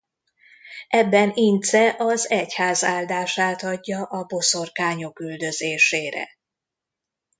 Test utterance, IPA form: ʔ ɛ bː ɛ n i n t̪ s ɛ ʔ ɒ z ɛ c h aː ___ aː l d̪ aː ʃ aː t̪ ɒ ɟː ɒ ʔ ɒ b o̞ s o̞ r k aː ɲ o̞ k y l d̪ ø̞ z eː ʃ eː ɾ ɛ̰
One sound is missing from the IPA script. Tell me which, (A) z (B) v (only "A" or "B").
A